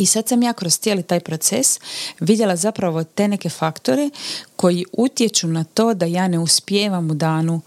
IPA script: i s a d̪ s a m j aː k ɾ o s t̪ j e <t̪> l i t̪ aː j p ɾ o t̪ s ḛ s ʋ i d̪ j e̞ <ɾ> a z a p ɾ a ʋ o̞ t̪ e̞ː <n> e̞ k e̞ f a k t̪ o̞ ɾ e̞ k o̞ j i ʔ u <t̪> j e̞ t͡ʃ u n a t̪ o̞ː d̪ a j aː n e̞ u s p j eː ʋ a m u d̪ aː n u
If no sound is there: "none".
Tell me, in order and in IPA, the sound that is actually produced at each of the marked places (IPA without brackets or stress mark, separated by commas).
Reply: none, l, n, t̪